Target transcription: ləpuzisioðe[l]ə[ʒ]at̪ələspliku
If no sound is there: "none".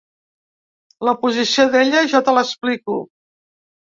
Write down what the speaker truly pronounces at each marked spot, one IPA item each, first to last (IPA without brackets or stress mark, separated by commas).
ʎ, ʒ